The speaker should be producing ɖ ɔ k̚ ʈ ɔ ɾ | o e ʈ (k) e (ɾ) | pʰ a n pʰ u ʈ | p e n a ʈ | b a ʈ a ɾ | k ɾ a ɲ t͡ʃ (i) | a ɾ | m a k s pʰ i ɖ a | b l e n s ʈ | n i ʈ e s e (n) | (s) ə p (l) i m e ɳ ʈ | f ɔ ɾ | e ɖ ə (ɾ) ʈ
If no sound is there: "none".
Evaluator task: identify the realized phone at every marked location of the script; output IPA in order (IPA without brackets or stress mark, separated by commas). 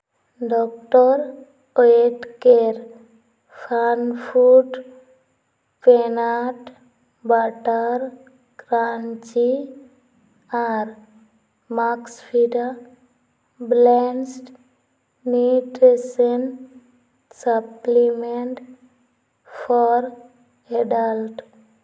k, ɾ, i, n, s, l, l